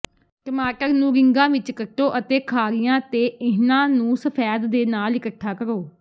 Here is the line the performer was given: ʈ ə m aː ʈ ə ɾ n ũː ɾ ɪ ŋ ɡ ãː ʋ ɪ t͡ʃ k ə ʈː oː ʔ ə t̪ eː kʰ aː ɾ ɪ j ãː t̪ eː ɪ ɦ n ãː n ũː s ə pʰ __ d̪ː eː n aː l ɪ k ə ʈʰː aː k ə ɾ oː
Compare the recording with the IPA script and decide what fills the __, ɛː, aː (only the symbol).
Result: ɛː